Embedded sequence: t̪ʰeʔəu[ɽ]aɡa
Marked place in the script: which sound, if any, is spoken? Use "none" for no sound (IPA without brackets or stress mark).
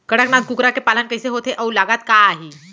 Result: l